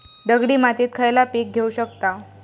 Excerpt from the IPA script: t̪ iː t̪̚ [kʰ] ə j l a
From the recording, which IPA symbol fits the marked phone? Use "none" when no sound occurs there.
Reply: kʰ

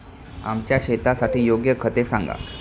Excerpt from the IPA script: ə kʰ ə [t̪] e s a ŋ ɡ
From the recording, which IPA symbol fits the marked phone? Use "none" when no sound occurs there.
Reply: t̪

